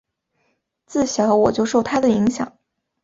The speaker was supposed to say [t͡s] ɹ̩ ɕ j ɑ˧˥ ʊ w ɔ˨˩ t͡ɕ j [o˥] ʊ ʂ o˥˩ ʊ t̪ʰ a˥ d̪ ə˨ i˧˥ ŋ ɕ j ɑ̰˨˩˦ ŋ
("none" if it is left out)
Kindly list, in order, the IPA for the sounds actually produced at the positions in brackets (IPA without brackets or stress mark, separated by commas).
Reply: t͡s, o˥˧